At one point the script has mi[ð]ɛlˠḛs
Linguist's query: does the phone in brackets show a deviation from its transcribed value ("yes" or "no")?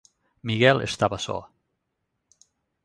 yes